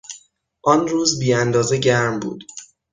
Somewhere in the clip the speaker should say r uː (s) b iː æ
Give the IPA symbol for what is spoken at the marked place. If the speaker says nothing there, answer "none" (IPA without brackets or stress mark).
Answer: z